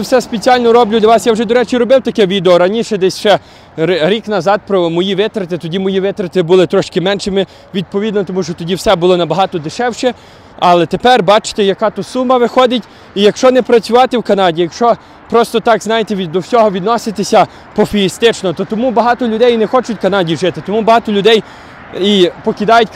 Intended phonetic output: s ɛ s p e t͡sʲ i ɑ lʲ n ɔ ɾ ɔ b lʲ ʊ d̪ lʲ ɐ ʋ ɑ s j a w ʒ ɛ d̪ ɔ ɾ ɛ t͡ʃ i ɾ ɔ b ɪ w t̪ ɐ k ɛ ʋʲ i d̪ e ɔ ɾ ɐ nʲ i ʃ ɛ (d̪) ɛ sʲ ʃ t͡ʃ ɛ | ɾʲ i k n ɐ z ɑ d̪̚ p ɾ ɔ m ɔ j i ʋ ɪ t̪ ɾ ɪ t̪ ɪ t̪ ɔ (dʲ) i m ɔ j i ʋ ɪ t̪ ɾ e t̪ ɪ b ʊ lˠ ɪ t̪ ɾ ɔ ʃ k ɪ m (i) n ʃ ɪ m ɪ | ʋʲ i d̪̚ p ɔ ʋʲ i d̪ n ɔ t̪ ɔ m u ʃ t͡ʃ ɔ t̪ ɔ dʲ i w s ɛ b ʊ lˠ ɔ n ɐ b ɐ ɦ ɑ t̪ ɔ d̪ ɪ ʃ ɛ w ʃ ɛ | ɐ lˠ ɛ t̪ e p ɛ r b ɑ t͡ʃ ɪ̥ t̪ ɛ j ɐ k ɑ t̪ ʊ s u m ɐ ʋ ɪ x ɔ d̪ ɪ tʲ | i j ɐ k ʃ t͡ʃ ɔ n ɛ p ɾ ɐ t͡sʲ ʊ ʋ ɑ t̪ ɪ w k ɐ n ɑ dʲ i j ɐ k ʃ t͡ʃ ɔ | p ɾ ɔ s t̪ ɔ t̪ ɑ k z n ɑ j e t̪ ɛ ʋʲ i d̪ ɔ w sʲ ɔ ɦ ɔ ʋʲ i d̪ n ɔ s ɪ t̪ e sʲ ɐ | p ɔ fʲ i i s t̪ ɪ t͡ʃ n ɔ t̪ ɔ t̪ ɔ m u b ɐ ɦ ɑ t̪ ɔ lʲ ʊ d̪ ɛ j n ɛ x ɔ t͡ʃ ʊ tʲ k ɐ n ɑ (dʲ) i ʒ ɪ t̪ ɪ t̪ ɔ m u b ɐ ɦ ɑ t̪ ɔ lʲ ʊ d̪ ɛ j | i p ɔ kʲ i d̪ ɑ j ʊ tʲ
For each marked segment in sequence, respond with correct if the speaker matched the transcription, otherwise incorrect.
correct, correct, incorrect: ɛ, correct

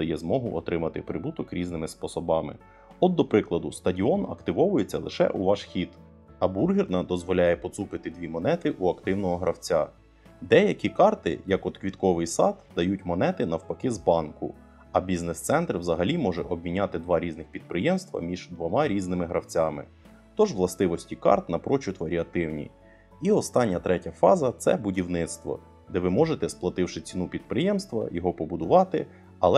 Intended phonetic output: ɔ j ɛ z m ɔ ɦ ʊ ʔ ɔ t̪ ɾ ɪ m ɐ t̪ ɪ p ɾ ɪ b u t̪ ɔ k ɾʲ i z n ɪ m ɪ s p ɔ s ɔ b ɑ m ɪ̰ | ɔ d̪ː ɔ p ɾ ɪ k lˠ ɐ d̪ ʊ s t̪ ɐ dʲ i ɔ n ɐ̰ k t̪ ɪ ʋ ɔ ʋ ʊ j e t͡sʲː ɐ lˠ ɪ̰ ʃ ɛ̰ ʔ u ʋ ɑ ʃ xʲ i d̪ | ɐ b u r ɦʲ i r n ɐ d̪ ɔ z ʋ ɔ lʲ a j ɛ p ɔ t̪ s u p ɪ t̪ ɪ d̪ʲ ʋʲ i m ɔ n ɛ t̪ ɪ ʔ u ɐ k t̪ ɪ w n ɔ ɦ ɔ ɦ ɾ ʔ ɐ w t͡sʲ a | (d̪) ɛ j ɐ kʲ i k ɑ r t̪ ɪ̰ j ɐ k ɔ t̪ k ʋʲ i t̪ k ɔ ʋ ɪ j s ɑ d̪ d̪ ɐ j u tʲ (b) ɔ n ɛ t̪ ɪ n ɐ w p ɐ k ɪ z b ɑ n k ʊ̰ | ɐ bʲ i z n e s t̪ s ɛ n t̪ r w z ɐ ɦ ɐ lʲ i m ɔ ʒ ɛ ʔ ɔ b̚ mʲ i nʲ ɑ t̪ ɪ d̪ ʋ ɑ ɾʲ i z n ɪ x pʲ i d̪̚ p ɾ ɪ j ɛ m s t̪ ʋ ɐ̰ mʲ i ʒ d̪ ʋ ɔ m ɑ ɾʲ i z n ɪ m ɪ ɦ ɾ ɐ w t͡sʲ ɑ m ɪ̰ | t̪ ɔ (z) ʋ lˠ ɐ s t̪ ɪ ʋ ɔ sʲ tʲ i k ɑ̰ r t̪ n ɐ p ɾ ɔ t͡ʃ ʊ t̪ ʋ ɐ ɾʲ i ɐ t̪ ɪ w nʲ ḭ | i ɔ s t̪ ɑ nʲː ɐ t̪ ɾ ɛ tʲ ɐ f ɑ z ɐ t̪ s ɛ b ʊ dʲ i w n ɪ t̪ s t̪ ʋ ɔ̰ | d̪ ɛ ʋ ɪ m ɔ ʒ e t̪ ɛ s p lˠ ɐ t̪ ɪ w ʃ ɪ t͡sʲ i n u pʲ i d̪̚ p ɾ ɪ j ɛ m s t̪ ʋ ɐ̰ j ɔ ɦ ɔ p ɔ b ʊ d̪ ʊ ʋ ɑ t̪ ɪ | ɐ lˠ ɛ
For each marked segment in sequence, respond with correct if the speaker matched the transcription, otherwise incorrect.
correct, incorrect: m, incorrect: ʒ

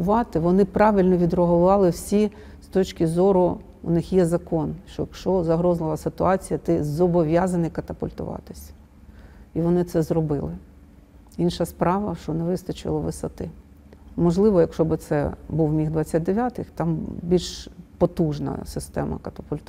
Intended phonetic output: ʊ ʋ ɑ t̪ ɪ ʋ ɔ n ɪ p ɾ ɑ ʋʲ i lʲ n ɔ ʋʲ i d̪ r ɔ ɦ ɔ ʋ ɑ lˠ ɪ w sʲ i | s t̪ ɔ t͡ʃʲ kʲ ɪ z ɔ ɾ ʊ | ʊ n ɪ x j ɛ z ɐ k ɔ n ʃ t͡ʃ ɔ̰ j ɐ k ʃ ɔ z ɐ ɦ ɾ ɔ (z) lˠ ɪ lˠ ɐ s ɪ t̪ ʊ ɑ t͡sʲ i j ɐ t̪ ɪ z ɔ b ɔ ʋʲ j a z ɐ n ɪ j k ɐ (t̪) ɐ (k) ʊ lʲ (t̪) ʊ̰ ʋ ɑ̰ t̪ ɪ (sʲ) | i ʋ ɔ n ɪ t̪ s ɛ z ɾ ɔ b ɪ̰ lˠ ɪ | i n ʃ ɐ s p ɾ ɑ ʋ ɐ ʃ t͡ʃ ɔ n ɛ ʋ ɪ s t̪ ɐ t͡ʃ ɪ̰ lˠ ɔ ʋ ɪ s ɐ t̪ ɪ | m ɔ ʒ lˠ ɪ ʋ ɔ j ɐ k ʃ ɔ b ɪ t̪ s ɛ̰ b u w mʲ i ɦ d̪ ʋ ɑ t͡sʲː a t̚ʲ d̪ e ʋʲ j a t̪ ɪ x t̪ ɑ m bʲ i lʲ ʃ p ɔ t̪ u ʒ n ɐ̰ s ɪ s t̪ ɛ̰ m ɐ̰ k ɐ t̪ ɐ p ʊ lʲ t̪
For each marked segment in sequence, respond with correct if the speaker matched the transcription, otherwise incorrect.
correct, correct, incorrect: p, correct, correct

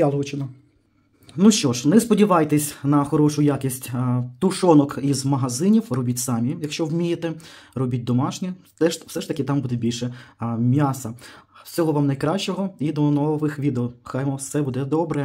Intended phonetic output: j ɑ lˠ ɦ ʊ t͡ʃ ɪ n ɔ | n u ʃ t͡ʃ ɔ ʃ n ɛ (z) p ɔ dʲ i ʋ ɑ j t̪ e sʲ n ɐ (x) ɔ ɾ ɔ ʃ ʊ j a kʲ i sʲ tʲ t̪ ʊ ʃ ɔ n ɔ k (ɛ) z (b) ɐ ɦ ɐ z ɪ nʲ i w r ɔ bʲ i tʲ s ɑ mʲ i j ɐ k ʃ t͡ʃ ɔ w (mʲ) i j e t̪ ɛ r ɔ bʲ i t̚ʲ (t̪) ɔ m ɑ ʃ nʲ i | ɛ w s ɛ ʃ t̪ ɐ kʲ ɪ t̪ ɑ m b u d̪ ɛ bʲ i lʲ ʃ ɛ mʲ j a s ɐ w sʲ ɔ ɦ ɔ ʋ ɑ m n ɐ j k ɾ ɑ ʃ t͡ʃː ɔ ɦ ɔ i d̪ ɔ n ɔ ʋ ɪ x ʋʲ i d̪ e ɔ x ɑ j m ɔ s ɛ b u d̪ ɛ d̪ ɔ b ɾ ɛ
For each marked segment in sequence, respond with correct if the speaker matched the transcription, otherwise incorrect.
incorrect: s, correct, incorrect: i, incorrect: m, correct, incorrect: d̪

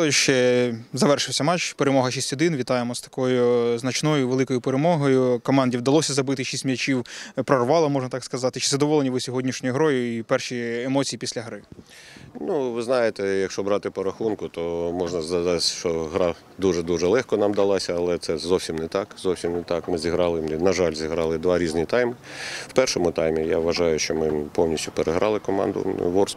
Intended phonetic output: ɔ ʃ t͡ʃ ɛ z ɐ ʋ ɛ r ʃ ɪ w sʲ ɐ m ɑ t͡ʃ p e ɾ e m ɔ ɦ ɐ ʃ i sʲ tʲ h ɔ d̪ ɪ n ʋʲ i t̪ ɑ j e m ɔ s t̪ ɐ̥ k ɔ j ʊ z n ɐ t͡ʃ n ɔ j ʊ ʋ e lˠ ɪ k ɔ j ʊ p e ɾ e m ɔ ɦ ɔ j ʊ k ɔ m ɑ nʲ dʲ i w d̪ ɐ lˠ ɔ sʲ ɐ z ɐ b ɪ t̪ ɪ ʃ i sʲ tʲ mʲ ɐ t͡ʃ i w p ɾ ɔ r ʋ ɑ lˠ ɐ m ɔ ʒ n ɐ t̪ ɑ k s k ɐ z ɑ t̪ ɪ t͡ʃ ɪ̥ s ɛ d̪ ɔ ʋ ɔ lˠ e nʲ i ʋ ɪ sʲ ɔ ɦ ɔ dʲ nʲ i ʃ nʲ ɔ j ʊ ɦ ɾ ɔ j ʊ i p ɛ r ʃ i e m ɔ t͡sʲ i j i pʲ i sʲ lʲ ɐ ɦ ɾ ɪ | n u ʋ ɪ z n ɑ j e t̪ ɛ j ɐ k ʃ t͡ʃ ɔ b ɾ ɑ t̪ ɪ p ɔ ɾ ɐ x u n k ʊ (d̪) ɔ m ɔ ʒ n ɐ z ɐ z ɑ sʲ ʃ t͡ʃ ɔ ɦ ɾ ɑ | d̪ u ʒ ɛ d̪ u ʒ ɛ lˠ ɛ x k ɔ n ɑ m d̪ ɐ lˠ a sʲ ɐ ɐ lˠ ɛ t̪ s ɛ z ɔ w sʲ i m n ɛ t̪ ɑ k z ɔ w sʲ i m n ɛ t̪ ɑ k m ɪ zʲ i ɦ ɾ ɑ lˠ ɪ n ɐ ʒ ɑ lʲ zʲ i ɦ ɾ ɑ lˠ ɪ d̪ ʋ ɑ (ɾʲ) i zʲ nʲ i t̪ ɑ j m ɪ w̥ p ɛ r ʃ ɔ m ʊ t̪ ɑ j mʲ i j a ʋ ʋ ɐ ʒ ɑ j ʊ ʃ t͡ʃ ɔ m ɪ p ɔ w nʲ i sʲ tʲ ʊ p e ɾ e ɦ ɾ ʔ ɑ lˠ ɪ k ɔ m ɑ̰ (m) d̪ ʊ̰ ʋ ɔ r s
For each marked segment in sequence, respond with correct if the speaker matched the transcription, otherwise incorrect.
incorrect: t̪, correct, incorrect: n

